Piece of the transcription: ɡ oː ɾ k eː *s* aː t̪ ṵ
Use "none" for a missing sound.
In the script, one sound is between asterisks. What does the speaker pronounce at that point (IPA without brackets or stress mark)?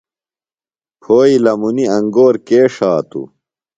ʂ